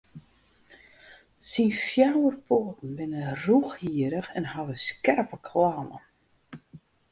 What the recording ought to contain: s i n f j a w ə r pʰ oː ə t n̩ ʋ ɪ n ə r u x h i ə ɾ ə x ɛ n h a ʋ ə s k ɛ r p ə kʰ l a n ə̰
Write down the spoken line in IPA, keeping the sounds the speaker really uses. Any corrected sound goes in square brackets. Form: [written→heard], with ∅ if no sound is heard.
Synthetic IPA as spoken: s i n f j a w ə r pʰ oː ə t n̩ ʋ ɪ n ə r u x h i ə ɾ ə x ɛ n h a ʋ ə s k ɛ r p ə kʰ l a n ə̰

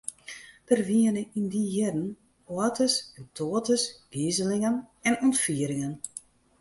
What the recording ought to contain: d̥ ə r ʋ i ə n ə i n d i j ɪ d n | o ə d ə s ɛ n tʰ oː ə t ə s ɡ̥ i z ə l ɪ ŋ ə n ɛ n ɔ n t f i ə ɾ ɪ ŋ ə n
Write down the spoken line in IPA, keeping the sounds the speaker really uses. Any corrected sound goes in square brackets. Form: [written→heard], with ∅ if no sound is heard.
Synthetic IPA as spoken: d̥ ə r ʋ i ə n ə i n d i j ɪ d n | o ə [d→t] ə s ɛ n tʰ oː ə t ə s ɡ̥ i z ə l ɪ ŋ ə n ɛ n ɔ n t f i ə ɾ ɪ ŋ ə n

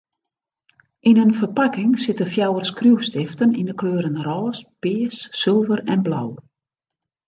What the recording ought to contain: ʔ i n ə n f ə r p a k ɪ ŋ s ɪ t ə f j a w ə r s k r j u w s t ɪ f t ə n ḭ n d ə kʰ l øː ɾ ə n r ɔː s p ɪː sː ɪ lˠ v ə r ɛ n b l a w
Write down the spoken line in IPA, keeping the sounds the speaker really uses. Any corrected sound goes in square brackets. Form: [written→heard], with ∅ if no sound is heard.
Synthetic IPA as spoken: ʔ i n ə n f ə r p a k ɪ ŋ s ɪ t ə f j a w ə r s k r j u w s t ɪ f t ə n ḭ n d ə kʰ l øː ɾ ə n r ɔː s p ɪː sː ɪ lˠ v ə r ɛ n b l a w

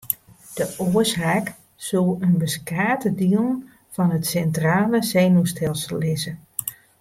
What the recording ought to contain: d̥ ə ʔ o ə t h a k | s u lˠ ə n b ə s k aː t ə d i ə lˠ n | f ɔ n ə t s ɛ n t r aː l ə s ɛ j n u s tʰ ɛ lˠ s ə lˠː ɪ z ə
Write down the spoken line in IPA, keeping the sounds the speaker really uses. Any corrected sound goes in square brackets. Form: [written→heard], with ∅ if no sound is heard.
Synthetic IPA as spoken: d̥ ə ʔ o ə [t→s] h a k | s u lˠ ə n b ə s k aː t ə d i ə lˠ n | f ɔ n ə t s ɛ n t r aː l ə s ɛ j n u s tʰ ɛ lˠ s ə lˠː ɪ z ə

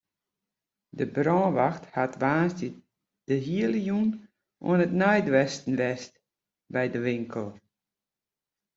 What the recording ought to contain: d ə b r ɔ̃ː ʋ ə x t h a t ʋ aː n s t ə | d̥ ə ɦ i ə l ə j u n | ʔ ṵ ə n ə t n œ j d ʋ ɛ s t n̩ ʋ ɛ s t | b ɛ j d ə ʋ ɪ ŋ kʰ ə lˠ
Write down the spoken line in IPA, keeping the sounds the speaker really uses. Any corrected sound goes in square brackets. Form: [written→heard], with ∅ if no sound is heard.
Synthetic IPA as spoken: d ə b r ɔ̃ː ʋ [ə→a] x t h a t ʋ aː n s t ə | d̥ ə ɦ i ə l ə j u n | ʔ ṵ ə n ə t n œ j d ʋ ɛ s t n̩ ʋ ɛ s t | b ɛ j d ə ʋ ɪ ŋ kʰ ə lˠ

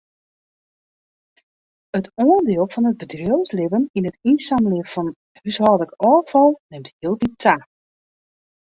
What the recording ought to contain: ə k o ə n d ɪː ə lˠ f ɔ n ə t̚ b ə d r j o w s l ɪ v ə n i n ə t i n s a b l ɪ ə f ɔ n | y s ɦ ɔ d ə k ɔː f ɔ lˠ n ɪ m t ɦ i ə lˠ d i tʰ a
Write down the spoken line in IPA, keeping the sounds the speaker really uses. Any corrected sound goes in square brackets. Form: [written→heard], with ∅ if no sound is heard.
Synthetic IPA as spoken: ə [k→t] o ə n d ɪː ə lˠ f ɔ n ə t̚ b ə d r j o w s l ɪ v ə n i n ə t i n s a [b→m] l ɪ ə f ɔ n | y s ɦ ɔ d ə k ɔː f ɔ lˠ n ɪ m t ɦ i ə lˠ d i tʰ a

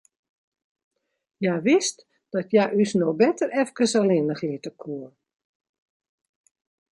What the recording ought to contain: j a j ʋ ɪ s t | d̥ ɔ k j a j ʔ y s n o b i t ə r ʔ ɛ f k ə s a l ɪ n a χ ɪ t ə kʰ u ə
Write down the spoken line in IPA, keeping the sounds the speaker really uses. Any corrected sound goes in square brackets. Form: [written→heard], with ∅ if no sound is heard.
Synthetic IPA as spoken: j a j ʋ ɪ s t | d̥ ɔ [k→t] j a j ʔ y s n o b [i→ɛ] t ə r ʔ ɛ f k ə s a l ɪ n [a→ə] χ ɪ t ə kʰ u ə

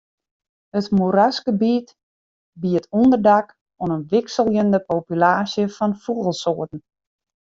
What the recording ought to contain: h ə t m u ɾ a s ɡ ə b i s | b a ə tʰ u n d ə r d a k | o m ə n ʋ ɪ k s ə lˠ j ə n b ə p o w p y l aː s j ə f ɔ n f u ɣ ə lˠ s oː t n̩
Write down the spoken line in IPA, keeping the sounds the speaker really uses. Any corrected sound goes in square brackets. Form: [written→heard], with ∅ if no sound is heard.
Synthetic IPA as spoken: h ə t m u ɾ a s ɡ ə b i [s→t] | b [a→i] ə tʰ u n d ə r d a k | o [m→n] ə n ʋ ɪ k s ə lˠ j ə n [b→d] ə p o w p y l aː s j ə f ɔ n f u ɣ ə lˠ s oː t n̩

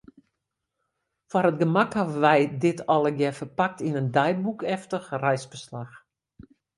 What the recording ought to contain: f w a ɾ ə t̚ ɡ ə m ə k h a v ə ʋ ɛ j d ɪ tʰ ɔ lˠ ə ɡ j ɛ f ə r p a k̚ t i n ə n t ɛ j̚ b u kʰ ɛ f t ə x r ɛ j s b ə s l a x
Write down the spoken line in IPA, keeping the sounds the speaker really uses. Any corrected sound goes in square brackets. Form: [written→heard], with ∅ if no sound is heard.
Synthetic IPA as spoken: f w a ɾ ə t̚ ɡ ə m [ə→a] k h a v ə ʋ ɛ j d ɪ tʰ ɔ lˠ ə ɡ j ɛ f ə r p a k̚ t i n ə n [t→d] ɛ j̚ b u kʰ ɛ f t ə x r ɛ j s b ə s l a x

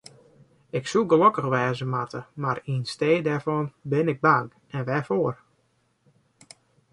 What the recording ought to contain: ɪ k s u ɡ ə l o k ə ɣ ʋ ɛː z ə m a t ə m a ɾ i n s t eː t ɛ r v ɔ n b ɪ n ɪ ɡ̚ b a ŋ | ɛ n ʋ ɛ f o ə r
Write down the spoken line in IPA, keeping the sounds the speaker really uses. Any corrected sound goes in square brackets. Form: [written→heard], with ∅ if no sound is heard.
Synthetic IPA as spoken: ɪ k s u ɡ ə l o k ə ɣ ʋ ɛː z ə m a t ə m a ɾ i n s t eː [t→d] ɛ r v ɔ n b ɪ n ɪ ɡ̚ b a ŋ | ɛ n ʋ ɛ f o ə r

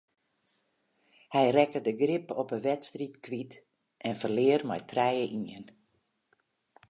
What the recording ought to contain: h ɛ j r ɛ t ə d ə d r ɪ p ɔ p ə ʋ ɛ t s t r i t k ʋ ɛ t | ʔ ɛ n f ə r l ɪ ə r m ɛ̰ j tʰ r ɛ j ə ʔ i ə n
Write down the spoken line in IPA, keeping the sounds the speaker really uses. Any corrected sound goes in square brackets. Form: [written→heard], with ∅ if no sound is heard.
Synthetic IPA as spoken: h ɛ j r ɛ [t→k] ə d ə [d→ɡ] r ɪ p ɔ p ə ʋ ɛ t s t r i t k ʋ [ɛ→i] t | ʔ ɛ n f ə r l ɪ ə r m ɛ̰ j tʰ r ɛ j ə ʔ i ə n

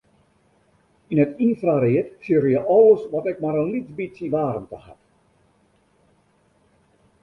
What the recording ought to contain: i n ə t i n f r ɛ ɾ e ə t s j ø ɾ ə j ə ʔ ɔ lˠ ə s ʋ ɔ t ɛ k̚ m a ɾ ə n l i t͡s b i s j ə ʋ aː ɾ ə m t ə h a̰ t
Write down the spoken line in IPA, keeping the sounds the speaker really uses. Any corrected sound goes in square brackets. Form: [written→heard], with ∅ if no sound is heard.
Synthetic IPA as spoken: i n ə t i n f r [ɛ→a] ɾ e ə t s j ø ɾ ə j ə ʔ ɔ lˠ ə s ʋ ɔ t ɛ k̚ m a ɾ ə n l i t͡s b i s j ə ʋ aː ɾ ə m t ə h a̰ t

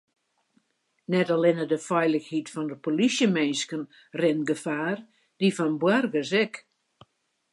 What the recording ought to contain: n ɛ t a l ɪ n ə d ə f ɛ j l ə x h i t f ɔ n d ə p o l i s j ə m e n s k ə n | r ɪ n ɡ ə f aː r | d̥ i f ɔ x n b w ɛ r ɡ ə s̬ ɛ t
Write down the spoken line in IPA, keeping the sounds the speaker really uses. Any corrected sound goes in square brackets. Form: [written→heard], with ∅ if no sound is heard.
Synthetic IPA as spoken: n ɛ t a l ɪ n ə d ə f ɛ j l ə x h i t f ɔ n d ə p o l i s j ə m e n s k ə n | r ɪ n ɡ ə f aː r | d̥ i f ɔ [x→∅] n b w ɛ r ɡ ə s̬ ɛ [t→k]

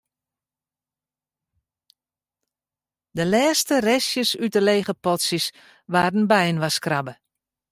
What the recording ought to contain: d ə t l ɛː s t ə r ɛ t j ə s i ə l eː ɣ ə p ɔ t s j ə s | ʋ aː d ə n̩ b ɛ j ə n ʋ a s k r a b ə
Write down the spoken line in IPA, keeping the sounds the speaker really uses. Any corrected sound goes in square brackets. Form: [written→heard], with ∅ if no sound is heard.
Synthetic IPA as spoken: d ə [t→∅] l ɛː s t ə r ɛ [t→s] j ə s [i→y] ə l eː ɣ ə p ɔ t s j ə s | ʋ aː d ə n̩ b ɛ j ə n ʋ a s k r a b ə

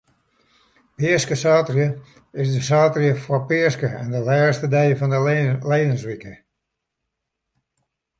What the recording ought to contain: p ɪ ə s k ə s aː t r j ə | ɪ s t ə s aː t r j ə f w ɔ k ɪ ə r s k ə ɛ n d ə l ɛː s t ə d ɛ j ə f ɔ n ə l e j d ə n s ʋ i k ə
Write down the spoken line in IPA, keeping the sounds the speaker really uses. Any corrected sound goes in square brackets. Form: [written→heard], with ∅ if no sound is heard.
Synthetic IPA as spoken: p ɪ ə s k ə s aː t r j ə | ɪ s [t→d] ə s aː t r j ə f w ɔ [k→p] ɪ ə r s k ə ɛ n d ə l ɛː s t ə d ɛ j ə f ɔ n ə l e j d ə n s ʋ i k ə

